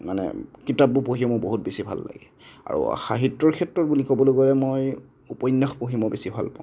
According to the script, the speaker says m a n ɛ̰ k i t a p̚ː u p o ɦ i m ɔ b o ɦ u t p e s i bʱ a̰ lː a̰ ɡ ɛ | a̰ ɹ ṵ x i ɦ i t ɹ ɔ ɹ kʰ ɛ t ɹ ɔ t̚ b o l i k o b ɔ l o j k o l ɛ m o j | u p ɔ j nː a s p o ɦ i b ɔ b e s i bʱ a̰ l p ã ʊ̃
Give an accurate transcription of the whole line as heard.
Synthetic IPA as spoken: m a n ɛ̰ k i t a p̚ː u p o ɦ i m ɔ b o ɦ u t b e s i bʱ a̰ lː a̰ ɡ ɛ | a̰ ɹ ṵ x a ɦ i t ɹ ɔ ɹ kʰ ɛ t ɹ ɔ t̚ b u l i k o b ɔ l o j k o l ɛ m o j | u p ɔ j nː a x p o ɦ i m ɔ b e s i bʱ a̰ l p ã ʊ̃